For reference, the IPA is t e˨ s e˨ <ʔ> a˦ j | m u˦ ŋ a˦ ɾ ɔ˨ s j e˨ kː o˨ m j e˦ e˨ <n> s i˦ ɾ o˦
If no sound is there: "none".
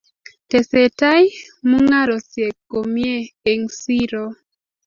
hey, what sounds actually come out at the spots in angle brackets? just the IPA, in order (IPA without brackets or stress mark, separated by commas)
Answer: t, ŋ